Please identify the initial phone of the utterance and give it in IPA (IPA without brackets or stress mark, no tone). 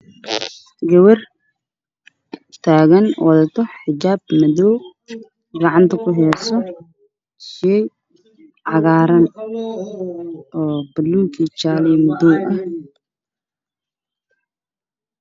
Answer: ɡ